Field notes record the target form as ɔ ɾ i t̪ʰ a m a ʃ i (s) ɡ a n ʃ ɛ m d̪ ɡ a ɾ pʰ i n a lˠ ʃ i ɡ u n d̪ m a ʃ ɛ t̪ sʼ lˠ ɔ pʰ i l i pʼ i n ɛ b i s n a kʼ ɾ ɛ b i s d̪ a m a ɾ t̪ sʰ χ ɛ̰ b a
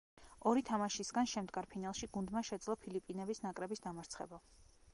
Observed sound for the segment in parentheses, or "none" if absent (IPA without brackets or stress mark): s